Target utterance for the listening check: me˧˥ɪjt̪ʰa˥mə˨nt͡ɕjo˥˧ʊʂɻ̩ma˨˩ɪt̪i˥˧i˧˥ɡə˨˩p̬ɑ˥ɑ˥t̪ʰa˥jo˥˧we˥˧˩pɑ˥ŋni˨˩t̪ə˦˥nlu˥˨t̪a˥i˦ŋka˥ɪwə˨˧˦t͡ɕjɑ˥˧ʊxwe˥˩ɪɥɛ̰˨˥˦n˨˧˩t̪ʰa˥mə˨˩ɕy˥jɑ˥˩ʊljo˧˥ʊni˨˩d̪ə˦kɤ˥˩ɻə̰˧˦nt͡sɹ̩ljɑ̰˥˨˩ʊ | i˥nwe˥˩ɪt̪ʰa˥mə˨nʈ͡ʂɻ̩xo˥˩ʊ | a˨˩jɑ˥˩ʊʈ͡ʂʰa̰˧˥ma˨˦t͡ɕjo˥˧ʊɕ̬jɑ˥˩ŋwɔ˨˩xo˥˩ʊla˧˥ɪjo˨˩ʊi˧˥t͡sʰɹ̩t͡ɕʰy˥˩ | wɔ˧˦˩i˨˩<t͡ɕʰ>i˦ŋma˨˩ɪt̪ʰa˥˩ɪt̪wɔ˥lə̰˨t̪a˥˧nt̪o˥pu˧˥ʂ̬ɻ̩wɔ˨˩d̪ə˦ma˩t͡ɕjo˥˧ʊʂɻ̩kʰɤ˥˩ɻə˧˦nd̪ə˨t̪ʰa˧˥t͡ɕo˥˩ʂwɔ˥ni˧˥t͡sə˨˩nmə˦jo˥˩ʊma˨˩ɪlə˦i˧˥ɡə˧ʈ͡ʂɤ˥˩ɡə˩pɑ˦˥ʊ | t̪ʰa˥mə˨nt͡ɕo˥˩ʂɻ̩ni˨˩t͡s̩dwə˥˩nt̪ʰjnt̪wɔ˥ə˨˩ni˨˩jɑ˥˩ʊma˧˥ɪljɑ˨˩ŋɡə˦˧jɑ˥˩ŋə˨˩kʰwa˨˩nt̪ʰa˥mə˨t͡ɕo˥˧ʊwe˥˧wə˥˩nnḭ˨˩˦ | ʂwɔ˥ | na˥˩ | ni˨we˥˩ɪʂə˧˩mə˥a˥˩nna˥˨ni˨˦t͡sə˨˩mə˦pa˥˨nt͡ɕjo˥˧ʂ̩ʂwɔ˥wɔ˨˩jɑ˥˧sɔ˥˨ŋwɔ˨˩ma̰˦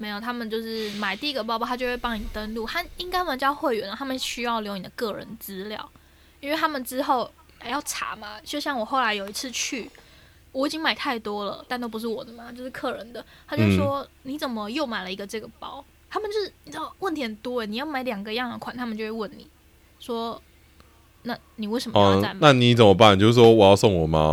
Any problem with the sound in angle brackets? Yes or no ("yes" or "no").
yes